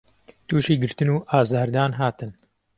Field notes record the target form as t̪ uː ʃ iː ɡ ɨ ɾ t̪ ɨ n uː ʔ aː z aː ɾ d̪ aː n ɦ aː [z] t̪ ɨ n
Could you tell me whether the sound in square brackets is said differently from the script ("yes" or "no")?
yes